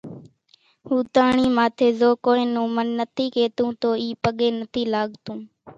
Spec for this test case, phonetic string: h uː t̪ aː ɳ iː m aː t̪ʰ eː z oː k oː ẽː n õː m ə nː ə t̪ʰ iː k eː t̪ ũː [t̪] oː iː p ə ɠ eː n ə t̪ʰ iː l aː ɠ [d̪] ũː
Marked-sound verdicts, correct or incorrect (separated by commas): correct, incorrect